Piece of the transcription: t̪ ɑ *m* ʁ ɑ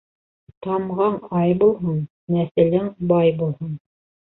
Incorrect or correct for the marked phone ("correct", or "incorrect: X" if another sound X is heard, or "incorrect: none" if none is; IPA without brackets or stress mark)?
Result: correct